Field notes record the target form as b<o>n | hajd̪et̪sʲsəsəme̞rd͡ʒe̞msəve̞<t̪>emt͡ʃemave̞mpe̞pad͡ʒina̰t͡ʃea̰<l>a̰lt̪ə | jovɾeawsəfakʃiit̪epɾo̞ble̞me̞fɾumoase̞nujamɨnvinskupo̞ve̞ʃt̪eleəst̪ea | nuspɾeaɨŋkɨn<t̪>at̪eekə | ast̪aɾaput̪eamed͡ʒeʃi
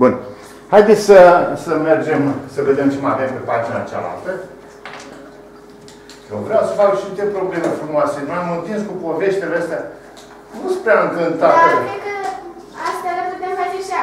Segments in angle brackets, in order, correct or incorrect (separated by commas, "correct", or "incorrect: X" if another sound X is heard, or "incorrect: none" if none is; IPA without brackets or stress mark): incorrect: u, incorrect: d̪, correct, correct